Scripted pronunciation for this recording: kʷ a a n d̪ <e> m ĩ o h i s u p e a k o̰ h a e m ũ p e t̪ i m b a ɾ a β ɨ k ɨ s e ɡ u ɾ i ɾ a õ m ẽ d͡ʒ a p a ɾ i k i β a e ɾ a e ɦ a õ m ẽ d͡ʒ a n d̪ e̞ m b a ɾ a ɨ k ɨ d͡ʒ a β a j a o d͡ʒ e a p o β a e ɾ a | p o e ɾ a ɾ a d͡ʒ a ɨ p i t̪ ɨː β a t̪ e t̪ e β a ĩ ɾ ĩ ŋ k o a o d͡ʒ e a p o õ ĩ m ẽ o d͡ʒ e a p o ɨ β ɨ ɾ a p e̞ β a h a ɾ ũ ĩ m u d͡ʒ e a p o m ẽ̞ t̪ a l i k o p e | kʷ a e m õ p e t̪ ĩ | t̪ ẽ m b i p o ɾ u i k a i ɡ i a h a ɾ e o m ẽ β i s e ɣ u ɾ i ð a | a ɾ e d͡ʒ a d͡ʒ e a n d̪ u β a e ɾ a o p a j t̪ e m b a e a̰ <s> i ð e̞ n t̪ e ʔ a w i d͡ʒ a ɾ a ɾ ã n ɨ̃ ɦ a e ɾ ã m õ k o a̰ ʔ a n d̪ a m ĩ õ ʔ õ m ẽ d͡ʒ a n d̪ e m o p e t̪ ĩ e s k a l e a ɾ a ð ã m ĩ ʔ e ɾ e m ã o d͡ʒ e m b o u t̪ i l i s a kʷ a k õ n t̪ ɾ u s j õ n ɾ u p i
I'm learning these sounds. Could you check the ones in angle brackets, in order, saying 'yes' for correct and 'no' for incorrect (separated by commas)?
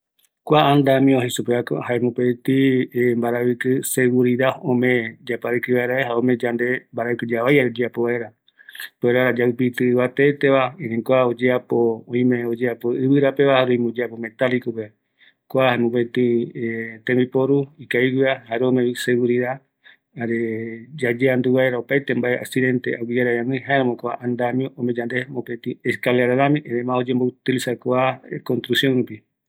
no, yes